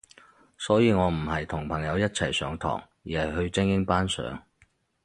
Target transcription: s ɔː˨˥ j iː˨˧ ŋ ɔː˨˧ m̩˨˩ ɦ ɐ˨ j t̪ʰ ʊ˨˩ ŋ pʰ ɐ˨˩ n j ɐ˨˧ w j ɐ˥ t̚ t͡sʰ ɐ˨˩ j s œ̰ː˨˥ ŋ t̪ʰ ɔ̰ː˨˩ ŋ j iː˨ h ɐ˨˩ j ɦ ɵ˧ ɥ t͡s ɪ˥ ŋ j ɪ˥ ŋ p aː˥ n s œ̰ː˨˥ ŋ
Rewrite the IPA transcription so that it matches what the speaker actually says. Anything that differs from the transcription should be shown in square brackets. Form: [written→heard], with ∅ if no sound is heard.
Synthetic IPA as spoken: s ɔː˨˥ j iː˨˧ ŋ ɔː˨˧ m̩˨˩ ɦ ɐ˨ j t̪ʰ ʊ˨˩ ŋ pʰ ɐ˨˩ [n→ŋ] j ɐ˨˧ w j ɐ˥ t̚ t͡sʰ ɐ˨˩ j s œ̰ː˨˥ ŋ t̪ʰ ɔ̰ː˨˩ ŋ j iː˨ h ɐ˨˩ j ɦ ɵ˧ ɥ t͡s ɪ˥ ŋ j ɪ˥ ŋ p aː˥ n s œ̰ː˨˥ ŋ